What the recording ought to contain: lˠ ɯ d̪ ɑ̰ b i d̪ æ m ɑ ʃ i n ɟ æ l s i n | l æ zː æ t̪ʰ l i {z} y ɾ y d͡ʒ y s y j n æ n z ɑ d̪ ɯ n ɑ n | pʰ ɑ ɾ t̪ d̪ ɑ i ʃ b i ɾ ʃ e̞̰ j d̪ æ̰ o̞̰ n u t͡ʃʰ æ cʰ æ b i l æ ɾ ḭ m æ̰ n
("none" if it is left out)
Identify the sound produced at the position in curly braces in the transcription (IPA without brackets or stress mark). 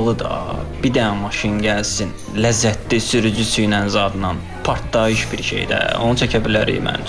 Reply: s